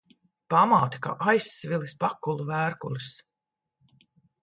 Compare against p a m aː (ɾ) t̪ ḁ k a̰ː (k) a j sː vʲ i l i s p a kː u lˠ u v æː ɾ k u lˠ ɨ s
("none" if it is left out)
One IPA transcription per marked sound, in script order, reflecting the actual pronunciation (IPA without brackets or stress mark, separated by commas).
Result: none, ʔ